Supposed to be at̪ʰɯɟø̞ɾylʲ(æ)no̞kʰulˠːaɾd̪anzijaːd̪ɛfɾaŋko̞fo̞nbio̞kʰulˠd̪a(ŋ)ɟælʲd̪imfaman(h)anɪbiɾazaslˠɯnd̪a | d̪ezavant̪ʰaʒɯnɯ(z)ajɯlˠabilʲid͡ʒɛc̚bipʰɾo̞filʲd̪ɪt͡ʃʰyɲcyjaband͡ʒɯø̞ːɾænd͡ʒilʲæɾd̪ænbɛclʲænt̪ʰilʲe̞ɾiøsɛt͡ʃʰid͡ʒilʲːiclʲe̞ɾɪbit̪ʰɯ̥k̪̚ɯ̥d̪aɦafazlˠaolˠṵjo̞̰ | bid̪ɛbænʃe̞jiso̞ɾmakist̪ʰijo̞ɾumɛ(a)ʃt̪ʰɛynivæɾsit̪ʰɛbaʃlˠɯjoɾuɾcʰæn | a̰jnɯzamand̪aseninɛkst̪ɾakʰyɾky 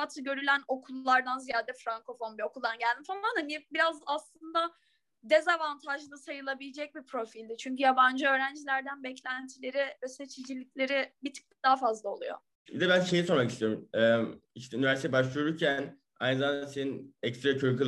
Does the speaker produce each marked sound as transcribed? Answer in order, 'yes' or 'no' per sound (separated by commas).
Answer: yes, no, yes, no, no